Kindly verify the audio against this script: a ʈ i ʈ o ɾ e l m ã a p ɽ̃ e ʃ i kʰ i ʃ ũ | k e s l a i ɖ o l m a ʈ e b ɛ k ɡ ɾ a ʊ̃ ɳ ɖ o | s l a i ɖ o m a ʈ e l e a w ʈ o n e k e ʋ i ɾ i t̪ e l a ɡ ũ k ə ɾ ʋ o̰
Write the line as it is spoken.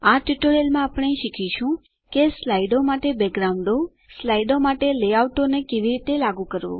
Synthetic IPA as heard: a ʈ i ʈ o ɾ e l m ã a p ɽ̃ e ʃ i kʰ i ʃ ũ | k e s l a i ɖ o m a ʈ e b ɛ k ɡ ɾ a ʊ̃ ɳ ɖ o | s l a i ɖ o m a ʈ e l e a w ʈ o n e k e ʋ i ɾ i t̪ e l a ɡ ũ k ə ɾ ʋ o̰